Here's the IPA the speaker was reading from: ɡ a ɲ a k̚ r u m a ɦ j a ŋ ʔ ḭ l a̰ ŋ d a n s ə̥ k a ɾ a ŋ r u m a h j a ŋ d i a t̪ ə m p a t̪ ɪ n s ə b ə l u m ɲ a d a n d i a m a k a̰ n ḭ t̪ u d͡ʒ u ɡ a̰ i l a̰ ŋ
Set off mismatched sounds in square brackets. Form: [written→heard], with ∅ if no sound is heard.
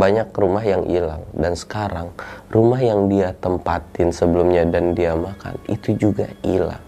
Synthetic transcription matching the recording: [ɡ→b] a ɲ a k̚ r u m a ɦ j a ŋ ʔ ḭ l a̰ ŋ d a n s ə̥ k a ɾ a ŋ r u m a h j a ŋ d i a t̪ ə m p a t̪ ɪ n s ə b ə l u m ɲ a d a n d i a m a k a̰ n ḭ t̪ u d͡ʒ u ɡ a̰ i l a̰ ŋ